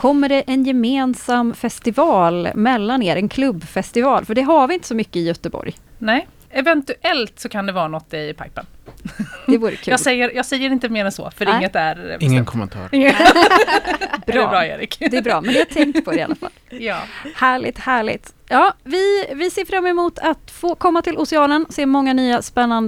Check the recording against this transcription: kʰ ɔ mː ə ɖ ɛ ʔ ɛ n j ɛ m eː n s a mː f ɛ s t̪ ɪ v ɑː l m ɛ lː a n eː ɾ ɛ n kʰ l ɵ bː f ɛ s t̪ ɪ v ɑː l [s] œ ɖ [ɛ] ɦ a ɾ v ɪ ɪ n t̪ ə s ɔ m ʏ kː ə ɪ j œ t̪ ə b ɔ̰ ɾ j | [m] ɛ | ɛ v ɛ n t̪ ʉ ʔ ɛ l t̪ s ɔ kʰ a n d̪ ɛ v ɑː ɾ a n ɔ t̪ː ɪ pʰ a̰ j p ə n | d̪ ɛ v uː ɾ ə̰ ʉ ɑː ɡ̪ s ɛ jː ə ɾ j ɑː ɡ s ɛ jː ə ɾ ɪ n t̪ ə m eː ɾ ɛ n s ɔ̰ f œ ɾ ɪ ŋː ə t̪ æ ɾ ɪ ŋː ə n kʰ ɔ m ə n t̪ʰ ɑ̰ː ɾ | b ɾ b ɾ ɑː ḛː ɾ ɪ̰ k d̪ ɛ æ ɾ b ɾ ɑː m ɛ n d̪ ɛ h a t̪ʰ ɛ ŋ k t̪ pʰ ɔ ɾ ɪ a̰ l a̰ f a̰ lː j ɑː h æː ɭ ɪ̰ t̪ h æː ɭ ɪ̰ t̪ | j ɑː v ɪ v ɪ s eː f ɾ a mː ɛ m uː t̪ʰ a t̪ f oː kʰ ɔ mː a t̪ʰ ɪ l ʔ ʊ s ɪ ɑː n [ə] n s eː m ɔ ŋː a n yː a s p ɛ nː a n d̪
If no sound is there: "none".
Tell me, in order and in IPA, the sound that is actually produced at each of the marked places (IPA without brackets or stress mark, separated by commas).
f, ɛ, n, ə